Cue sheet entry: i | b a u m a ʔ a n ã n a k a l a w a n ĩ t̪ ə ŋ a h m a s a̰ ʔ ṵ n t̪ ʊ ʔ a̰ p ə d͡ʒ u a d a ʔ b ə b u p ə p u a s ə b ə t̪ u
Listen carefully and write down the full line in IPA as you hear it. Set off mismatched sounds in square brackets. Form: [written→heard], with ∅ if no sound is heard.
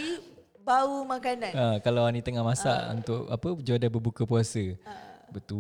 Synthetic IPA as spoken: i | b a u m a [ʔ→k] a n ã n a k a l a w a n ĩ t̪ ə ŋ a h m a s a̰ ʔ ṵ n t̪ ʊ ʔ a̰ p ə d͡ʒ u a d a [ʔ→∅] b ə b u [p→k] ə p u a s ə b ə t̪ u